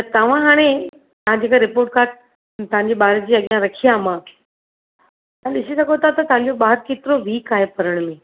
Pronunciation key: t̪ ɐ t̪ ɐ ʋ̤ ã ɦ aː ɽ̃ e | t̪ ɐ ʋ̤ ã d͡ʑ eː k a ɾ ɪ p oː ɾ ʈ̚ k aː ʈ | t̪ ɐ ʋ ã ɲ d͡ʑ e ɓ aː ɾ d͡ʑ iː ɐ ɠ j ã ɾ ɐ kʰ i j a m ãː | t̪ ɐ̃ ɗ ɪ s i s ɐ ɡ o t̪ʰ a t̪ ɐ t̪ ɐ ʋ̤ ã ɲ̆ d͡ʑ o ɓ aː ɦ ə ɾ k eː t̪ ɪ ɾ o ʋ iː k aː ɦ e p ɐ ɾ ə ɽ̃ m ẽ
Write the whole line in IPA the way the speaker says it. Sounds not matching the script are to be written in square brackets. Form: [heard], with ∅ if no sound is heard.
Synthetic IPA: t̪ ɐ t̪ ɐ ʋ̤ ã ɦ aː ɽ̃ e | t̪ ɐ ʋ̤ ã d͡ʑ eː k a ɾ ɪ p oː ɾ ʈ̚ k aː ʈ | t̪ ɐ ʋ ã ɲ d͡ʑ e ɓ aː ɾ d͡ʑ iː ɐ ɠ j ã ɾ ɐ kʰ i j a m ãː | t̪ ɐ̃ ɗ ɪ s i s ɐ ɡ o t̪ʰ a t̪ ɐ t̪ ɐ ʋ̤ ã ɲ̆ d͡ʑ o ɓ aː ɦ ə ɾ k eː t̪ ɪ ɾ o ʋ iː k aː ɦ e p ɐ ɾ ə ɽ̃ m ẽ

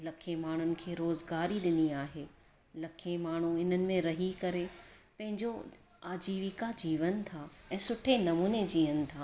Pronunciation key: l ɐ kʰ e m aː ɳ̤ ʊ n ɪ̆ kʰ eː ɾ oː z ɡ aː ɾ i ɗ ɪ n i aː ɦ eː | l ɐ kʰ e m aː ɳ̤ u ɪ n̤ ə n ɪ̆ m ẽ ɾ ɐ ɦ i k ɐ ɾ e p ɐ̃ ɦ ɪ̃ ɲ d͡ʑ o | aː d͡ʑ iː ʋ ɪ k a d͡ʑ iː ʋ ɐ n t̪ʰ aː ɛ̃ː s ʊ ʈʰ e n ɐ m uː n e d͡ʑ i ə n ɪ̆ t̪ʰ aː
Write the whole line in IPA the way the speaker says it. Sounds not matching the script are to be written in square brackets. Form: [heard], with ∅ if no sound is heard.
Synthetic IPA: l ɐ kʰ e m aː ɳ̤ ʊ n ɪ̆ kʰ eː ɾ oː z ɡ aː ɾ i ɗ ɪ n i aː ɦ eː | l ɐ kʰ e m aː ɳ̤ u ɪ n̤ ə n ɪ̆ m ẽ ɾ ɐ ɦ i k ɐ ɾ e p ɐ̃ ɦ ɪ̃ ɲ d͡ʑ o | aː d͡ʑ iː ʋ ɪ k a d͡ʑ iː ʋ [ə] n t̪ʰ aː ɛ̃ː s ʊ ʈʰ e n ɐ m uː n e d͡ʑ [iː] ə n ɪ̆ t̪ʰ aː

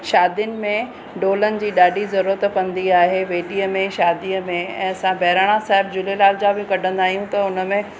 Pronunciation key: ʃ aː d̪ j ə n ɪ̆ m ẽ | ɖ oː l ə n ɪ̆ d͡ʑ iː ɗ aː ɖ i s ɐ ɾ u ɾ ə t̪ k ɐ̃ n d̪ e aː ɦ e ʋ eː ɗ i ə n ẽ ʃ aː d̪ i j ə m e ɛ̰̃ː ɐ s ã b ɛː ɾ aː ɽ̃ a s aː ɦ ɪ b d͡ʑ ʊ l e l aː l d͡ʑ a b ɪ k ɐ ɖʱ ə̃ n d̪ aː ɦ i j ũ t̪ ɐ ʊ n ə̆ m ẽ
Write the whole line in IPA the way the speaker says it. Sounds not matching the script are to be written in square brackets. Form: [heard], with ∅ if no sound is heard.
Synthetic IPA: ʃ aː d̪ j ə n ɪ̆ m ẽ | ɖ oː l ə n ɪ̆ d͡ʑ iː ɗ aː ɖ i [z] ɐ ɾ u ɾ ə t̪ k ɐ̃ n d̪ [i] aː ɦ e ʋ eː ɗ i ə [m] ẽ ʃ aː d̪ i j ə m [ẽ] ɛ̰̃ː ɐ s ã b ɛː ɾ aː ɽ̃ a s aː ɦ ɪ b d͡ʑ ʊ l e l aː l d͡ʑ a b ɪ k ɐ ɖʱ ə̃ n d̪ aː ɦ i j ũ t̪ ɐ ʊ n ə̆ m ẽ

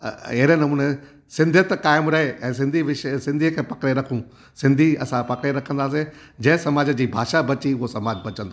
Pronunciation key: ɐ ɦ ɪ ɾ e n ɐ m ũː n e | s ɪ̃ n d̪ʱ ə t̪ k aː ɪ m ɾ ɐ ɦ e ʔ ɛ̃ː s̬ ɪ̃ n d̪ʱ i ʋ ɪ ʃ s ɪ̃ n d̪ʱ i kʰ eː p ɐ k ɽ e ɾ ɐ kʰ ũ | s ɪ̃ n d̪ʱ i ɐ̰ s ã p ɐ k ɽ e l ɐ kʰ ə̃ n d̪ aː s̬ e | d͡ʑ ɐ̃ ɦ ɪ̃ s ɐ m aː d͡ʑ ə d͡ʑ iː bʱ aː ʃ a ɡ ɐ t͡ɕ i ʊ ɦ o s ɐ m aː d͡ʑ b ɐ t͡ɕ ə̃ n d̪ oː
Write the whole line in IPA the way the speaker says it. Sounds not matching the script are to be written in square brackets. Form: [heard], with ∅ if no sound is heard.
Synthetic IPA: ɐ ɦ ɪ ɾ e n ɐ m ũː n e | s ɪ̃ n d̪ʱ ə t̪ k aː ɪ m ɾ ɐ ɦ e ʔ ɛ̃ː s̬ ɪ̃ n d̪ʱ i ʋ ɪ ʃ s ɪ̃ n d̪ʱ i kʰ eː p ɐ k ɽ e ɾ ɐ kʰ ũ | s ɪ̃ n d̪ʱ i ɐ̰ s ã p ɐ k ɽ e [ɾ] ɐ kʰ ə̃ n d̪ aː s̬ e | d͡ʑ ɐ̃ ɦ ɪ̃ s ɐ m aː d͡ʑ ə d͡ʑ iː bʱ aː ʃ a [b] ɐ t͡ɕ i ʊ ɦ o s ɐ m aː d͡ʑ b ɐ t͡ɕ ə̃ n d̪ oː

